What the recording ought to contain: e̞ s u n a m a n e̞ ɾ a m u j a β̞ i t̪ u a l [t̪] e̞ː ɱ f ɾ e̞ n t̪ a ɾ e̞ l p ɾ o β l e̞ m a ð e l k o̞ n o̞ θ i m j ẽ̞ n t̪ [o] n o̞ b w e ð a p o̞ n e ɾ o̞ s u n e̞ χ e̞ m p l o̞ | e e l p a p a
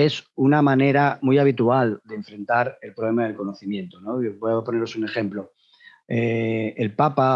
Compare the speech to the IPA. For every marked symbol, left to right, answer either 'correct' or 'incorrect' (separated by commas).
incorrect, correct